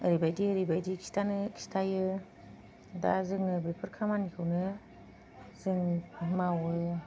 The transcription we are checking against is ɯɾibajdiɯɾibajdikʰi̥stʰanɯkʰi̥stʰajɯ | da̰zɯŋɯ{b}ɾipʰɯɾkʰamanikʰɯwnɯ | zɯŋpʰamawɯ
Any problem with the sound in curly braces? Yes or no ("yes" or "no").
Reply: no